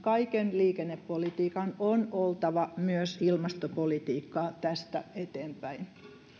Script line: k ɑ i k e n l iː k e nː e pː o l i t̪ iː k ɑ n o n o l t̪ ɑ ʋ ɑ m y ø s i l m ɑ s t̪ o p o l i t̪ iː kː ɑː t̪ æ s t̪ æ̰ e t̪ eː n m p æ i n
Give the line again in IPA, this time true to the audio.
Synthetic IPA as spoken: k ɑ i k e n l iː k e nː e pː o l i t̪ iː k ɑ n o n o l t̪ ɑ ʋ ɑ m y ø s i l m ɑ s t̪ o p o l i t̪ iː kː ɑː t̪ æ s t̪ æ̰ e t̪ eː m p æ i n